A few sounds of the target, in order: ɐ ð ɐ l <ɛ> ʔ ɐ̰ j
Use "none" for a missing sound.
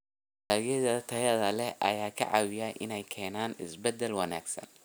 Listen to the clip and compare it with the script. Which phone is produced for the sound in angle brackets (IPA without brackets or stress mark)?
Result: ɛ